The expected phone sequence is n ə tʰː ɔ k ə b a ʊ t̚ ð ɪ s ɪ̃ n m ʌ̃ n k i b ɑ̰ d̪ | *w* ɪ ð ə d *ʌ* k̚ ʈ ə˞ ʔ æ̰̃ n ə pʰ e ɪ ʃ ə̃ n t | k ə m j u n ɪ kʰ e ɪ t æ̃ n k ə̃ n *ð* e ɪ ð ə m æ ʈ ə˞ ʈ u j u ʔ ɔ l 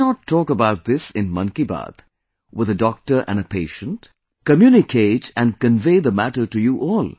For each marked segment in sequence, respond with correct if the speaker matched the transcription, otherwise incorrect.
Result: correct, incorrect, incorrect

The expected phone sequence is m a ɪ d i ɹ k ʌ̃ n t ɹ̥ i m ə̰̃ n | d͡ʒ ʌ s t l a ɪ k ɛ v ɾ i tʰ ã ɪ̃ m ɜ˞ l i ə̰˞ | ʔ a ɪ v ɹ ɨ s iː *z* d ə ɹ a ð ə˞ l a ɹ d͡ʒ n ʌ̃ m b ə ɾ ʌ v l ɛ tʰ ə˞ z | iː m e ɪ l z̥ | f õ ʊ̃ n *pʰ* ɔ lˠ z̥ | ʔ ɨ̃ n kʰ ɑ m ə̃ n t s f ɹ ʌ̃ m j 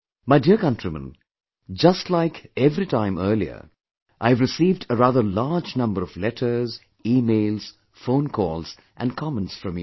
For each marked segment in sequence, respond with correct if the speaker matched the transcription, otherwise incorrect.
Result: incorrect, incorrect

